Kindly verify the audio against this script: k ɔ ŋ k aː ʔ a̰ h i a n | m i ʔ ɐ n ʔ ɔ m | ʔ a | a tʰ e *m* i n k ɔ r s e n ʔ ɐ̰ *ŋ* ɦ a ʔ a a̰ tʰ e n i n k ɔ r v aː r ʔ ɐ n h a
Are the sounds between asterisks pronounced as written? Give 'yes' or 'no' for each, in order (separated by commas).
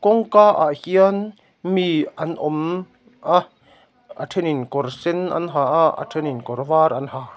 no, no